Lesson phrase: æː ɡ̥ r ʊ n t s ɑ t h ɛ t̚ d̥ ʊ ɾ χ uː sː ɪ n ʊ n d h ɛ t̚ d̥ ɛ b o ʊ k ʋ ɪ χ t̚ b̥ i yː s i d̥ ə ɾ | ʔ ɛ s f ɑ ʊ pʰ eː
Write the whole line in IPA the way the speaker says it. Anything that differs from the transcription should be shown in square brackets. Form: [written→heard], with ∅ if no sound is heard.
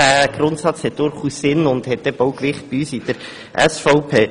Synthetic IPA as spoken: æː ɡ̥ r ʊ n t s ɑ [t→t͡s] h ɛ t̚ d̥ ʊ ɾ χ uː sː ɪ n ʊ n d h ɛ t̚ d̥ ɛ b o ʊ k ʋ ɪ χ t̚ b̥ i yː s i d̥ ə ɾ | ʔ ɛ s f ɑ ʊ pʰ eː

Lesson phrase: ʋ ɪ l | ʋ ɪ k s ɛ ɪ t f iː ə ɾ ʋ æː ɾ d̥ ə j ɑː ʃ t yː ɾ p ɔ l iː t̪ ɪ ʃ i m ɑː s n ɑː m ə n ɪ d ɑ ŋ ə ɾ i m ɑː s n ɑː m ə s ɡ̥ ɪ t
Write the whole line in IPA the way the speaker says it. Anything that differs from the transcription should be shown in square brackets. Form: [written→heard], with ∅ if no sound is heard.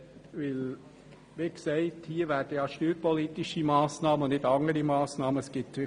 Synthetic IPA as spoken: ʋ ɪ l | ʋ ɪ k s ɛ ɪ t [f→h] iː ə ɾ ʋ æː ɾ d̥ ə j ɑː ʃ t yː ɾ p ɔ l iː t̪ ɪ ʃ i m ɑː s n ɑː m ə n ɪ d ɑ ŋ ə ɾ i m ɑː s n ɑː m ə s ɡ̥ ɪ t

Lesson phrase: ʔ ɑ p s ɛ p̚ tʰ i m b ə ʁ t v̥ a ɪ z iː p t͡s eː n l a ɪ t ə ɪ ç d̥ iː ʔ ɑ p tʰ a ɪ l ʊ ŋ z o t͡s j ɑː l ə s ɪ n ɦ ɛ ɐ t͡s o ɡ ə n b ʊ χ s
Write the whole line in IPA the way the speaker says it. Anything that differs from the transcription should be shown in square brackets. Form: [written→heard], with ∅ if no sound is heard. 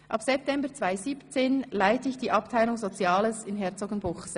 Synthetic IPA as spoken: ʔ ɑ p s ɛ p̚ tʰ [i→ɛ] m b ə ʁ [t→t͡s] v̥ a ɪ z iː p t͡s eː n l a ɪ t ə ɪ ç d̥ iː ʔ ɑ p tʰ a ɪ l ʊ ŋ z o t͡s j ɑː l ə s ɪ n ɦ ɛ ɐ t͡s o ɡ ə n b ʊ χ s

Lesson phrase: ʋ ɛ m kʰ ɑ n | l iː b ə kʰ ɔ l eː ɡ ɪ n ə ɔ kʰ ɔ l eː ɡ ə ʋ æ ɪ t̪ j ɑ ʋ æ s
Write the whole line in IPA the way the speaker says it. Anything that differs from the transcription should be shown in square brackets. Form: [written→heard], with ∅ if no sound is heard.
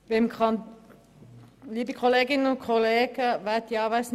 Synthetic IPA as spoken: ʋ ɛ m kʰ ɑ n | l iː b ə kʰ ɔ l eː ɡ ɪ n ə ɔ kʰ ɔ l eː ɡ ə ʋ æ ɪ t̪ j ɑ ʋ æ s

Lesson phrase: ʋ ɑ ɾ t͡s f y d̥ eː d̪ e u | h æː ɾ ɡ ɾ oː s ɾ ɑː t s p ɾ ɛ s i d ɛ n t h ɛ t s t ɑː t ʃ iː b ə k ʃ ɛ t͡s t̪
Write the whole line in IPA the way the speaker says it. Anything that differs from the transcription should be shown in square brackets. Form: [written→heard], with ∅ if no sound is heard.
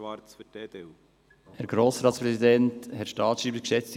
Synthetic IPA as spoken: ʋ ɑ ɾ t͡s f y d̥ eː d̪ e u | h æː ɾ ɡ ɾ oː s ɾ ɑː t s p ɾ ɛ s i d ɛ n t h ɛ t [s→ʃ] t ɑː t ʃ iː b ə k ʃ ɛ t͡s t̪

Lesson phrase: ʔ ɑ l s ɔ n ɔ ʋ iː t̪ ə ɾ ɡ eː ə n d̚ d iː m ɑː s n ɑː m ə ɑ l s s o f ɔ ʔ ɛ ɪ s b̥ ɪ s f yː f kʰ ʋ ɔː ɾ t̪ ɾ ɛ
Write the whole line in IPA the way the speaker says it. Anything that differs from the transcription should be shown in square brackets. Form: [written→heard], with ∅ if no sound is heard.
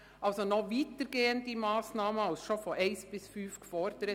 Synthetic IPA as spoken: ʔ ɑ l s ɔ n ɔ ʋ iː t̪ ə ɾ ɡ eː ə n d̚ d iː m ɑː s n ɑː m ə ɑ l s [s→ʃ] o f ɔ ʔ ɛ ɪ s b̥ ɪ s f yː f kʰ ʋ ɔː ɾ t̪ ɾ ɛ

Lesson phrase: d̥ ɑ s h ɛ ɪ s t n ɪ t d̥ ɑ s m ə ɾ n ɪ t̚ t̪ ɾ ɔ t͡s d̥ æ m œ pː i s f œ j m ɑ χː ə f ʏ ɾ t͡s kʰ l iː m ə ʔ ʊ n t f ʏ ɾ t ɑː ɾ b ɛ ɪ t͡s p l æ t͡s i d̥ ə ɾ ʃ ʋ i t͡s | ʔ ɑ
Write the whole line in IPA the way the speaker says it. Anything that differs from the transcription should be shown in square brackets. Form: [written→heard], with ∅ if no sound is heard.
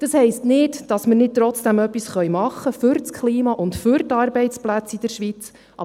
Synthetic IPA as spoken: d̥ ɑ s h ɛ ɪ s t n ɪ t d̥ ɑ s m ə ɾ n ɪ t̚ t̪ ɾ ɔ t͡s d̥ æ m œ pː i s [f→χ] œ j m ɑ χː ə f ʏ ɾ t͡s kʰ l iː m [ə→ɑ] ʔ ʊ n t f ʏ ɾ t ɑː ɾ b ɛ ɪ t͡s p l æ t͡s i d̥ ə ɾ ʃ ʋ i t͡s | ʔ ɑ

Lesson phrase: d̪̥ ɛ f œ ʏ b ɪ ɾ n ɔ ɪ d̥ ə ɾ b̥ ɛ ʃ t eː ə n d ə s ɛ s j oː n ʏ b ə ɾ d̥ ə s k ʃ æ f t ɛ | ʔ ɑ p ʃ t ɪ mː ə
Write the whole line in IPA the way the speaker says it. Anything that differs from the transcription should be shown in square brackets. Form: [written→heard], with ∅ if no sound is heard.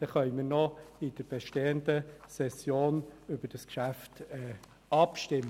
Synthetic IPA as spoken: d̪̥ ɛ [f→χ] œ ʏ [b→m] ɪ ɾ n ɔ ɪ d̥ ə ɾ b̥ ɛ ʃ t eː ə n d ə s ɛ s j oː n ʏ b ə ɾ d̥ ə s k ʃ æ f t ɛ | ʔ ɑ p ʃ t ɪ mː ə

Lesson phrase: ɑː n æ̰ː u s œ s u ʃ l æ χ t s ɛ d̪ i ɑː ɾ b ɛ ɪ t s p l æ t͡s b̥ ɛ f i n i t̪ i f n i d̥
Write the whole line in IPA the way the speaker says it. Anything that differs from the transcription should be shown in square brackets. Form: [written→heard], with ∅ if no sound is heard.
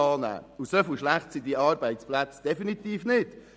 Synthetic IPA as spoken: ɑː n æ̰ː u s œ [s→f] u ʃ l æ χ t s [ɛ→i] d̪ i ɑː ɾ b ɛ ɪ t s p l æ t͡s [b̥→d̥] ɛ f i n i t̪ [i→iː] f n [i→ɪ] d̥

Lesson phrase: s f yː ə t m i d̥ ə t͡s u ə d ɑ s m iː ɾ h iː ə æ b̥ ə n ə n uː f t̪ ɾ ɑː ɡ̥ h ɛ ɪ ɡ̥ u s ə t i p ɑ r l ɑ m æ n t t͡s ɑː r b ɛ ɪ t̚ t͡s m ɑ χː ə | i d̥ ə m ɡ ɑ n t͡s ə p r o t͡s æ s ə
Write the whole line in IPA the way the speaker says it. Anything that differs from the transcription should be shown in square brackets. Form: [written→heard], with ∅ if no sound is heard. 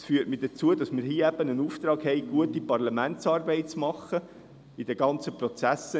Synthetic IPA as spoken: s f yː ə t m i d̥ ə t͡s u ə d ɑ s m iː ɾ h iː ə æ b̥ ə n ə n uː f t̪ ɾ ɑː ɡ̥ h ɛ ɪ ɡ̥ u [s→∅] ə t i p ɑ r l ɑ m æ n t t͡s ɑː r b ɛ ɪ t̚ t͡s m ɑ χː ə | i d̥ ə [m→∅] ɡ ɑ n t͡s ə p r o t͡s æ s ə

